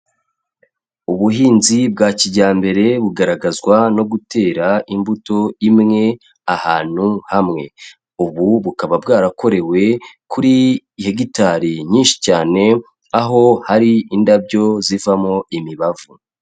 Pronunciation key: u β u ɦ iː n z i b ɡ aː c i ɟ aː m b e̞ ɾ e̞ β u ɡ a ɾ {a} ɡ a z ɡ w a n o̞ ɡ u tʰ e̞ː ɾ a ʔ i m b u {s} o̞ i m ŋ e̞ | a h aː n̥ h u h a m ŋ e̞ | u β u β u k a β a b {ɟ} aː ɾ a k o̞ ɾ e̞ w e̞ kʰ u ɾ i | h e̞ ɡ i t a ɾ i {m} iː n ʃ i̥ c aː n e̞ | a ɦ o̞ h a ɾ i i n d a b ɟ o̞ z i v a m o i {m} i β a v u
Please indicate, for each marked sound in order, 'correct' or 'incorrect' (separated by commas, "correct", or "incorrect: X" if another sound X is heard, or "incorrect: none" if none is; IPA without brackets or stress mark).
correct, incorrect: t, incorrect: ɡ, incorrect: ɲ, correct